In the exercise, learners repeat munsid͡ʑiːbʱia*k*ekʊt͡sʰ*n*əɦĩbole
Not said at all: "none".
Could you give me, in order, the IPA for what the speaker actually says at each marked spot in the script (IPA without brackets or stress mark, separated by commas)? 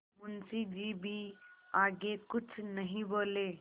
ɡ, n